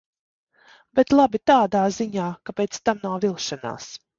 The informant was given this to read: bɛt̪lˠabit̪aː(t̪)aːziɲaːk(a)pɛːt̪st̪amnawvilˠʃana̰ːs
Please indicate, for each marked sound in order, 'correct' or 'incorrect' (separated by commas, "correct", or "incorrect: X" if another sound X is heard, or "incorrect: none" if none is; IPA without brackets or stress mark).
incorrect: d̪, correct